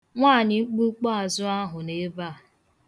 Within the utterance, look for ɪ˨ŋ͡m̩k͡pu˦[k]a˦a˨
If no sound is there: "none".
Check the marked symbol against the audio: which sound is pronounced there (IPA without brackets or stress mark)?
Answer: k͡p